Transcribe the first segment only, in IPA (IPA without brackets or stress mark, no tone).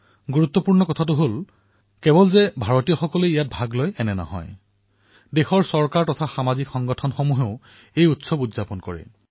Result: ɡ